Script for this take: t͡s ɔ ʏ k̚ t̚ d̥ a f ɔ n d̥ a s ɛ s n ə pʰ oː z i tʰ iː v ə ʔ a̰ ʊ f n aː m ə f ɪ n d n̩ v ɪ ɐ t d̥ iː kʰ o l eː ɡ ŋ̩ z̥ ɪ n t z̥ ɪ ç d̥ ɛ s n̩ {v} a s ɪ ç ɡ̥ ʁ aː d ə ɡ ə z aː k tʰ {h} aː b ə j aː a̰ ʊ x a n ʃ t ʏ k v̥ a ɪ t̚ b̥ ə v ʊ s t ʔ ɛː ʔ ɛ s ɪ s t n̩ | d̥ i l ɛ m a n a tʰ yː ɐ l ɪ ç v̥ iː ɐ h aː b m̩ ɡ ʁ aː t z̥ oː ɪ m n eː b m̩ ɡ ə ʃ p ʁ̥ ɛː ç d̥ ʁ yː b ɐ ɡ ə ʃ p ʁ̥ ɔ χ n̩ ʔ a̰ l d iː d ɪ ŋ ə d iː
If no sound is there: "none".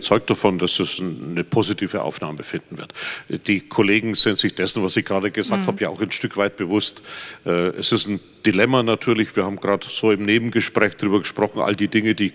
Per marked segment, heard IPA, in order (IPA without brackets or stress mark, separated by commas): v, h